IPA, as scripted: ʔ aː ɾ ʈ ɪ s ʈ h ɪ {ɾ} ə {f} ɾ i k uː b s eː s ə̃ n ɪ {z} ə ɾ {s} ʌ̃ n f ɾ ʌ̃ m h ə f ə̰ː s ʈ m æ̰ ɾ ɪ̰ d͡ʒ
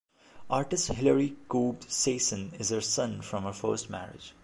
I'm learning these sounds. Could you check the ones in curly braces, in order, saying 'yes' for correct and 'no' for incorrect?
no, no, yes, yes

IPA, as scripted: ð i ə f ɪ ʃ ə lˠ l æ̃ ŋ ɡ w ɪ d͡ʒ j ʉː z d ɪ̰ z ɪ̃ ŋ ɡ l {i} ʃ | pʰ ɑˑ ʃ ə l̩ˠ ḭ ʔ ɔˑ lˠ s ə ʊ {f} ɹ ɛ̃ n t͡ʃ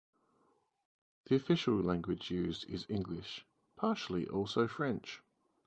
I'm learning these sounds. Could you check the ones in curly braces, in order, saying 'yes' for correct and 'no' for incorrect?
no, yes

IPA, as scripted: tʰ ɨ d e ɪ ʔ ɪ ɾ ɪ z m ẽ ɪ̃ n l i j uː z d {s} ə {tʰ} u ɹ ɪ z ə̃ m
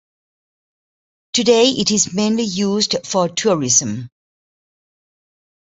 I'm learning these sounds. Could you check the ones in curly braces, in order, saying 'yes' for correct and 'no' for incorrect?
no, yes

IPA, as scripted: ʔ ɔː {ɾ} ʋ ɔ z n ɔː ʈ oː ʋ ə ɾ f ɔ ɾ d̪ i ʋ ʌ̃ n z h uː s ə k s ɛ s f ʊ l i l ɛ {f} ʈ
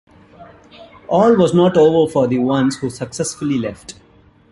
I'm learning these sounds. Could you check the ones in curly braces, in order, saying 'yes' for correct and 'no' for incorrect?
no, yes

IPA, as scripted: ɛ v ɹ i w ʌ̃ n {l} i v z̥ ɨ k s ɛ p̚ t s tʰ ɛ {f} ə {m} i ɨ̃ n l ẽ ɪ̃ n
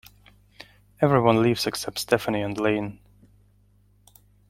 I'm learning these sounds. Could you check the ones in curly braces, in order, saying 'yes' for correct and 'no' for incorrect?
yes, yes, no

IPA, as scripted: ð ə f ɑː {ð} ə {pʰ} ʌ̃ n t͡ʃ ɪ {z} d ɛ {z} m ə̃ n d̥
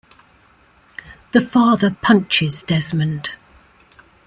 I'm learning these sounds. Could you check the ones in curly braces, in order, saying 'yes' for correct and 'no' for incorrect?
yes, yes, yes, yes

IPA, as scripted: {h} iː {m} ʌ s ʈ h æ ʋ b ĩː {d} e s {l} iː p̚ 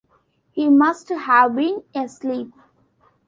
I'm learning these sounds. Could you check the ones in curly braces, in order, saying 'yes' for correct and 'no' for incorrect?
yes, yes, no, yes

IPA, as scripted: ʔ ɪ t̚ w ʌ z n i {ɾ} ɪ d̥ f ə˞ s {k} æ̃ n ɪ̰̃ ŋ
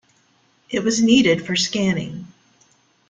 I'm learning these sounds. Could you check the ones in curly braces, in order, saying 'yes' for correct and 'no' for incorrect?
yes, yes

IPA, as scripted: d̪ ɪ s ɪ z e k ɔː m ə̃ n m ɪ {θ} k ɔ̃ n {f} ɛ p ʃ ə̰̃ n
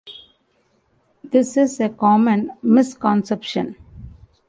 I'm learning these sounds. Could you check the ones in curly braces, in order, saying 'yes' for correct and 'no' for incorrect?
no, no

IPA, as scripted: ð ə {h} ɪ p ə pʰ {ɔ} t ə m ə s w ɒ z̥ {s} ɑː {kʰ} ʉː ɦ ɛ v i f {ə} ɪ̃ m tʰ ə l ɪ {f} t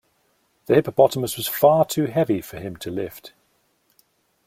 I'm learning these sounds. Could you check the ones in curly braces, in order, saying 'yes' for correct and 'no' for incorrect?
yes, no, no, no, yes, yes

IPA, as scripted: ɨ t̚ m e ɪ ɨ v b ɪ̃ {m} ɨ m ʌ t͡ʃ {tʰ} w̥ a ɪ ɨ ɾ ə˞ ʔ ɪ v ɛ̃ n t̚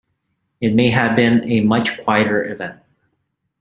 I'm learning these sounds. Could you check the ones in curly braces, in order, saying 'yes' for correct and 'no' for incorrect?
no, no

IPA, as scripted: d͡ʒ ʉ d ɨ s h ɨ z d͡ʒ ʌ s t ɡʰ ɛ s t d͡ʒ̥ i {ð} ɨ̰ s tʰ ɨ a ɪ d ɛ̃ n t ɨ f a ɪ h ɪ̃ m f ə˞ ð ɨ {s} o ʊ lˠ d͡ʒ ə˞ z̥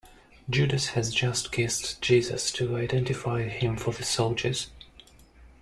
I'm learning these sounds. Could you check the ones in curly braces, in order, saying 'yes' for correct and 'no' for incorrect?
no, yes

